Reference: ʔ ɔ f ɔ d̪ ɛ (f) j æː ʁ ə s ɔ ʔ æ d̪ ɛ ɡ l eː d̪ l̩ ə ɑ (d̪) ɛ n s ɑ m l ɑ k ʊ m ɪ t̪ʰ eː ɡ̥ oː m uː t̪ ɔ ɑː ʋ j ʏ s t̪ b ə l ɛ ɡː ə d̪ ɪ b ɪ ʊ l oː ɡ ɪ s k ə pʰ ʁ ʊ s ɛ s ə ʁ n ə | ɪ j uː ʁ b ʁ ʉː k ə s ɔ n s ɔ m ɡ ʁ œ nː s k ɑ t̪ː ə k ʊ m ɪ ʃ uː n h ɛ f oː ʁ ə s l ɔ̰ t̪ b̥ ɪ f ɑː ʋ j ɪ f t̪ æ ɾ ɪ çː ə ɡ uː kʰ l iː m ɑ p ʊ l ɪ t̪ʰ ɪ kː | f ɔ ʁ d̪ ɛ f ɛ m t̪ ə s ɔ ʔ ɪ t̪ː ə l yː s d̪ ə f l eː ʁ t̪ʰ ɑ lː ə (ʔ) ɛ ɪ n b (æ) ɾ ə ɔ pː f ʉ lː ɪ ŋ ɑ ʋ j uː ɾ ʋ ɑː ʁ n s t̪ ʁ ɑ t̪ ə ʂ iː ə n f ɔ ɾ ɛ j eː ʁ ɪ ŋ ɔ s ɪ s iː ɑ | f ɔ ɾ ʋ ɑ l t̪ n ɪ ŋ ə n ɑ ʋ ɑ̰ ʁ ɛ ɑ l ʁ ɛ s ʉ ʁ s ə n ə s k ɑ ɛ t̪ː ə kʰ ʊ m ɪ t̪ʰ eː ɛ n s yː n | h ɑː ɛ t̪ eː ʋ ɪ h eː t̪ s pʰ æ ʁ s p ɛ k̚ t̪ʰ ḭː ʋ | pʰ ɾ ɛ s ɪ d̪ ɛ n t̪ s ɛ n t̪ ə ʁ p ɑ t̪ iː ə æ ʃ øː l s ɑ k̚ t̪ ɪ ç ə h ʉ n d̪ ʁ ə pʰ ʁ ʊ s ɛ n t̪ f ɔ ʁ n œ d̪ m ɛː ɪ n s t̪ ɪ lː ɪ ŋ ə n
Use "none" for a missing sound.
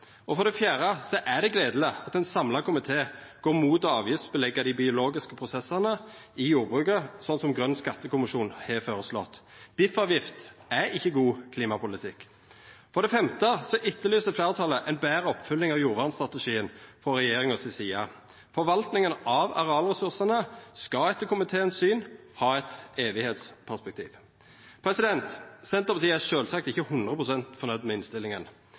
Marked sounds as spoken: f, t̪, ʔ, æː

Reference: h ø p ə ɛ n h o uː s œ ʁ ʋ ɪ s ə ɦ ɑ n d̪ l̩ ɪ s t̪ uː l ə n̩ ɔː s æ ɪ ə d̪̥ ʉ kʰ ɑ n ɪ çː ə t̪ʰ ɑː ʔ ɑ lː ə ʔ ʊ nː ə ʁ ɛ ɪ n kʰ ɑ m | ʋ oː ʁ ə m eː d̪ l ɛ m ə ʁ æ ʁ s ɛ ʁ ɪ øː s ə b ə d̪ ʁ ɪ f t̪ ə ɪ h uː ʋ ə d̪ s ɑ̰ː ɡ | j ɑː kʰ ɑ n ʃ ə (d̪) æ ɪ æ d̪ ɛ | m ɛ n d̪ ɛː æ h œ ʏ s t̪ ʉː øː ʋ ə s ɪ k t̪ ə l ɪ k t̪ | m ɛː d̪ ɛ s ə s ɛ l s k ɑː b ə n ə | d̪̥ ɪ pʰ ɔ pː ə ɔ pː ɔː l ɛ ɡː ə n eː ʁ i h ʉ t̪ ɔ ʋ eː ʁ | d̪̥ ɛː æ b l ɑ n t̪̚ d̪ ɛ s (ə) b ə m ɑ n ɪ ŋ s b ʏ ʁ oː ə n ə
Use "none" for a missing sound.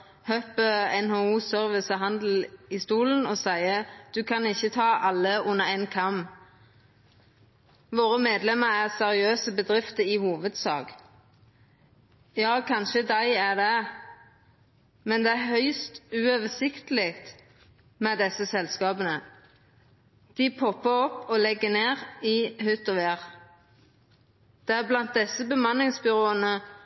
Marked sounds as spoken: d̪, ə

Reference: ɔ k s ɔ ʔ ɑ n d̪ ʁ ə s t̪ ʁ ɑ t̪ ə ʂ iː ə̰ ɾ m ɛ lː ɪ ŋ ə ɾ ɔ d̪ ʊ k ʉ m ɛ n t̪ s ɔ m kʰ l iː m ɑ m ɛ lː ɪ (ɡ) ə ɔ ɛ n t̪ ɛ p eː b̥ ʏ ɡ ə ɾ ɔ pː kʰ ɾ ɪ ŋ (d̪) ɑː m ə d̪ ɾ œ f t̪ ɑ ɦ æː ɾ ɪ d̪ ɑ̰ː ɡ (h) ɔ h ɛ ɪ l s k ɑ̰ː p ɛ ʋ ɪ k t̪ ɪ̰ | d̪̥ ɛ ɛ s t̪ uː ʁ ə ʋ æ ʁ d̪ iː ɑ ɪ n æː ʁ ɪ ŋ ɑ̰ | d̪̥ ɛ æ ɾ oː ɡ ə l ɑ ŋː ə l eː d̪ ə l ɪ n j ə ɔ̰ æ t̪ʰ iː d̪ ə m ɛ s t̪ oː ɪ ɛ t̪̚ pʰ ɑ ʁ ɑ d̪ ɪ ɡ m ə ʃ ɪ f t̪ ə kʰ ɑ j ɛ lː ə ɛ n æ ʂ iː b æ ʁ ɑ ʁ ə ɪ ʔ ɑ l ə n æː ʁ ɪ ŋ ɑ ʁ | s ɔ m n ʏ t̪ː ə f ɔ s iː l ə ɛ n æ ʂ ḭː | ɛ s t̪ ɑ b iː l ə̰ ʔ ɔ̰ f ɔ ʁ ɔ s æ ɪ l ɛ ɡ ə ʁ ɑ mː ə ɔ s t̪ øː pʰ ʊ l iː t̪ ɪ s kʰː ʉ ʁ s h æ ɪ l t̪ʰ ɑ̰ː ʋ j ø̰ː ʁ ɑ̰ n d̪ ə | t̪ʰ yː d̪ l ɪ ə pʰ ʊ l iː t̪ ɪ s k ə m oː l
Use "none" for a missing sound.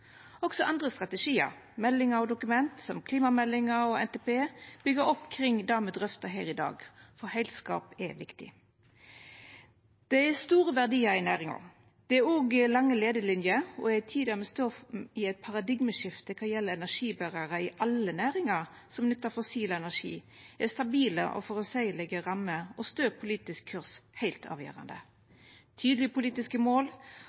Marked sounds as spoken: ŋ, d̪, f

